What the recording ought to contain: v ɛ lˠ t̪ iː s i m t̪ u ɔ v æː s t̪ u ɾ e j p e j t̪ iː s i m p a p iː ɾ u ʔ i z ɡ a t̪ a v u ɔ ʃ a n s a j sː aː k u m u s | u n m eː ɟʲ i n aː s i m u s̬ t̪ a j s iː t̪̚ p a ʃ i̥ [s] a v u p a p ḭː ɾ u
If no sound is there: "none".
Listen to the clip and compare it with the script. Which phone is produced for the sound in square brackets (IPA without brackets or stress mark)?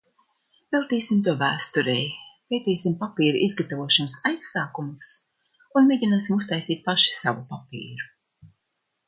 s